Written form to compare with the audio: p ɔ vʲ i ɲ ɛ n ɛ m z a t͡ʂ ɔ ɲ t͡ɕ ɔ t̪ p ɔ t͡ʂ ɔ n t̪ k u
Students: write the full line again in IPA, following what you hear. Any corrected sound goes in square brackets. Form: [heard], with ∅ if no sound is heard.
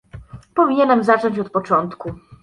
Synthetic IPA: p ɔ vʲ i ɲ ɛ n ɛ m z a t͡ʂ ɔ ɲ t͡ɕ ɔ t̪ p ɔ t͡ʂ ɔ n t̪ k u